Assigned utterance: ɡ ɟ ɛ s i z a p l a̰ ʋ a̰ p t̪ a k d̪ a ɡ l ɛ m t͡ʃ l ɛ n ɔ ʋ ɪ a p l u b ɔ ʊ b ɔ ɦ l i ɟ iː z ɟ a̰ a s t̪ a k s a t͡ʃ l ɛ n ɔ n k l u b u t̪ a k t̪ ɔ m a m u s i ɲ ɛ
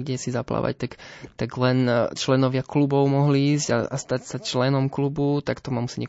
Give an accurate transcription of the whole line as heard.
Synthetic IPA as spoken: ɡ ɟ ɛ s i z a p l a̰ ʋ a̰ c t̪ a k t̪ a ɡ l ɛ n t͡ʃ l ɛ n ɔ ʋ ɪ a k l u b ɔ ʊ m ɔ ɦ l i iː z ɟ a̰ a s t̪ a c s a t͡ʃ l ɛ n ɔ m k l u b u t̪ a k t̪ ɔ m a m u s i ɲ ɛ